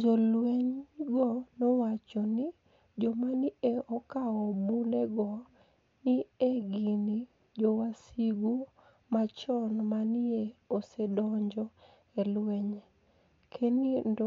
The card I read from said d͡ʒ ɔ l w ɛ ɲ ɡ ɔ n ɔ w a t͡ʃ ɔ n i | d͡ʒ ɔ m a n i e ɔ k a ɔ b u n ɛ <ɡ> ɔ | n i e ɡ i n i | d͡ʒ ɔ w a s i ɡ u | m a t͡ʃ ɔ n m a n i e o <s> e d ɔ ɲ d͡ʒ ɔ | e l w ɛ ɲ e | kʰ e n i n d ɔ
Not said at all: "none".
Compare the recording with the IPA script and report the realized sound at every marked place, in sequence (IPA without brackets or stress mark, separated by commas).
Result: ɡ, s